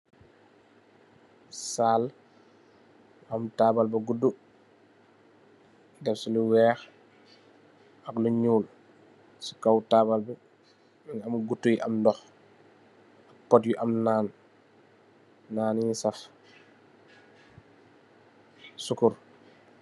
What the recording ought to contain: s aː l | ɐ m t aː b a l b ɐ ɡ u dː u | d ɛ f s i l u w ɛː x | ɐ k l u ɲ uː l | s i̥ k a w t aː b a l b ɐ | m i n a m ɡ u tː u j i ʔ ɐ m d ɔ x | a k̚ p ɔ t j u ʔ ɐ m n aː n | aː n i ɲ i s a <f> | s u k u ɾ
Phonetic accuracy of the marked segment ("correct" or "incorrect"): correct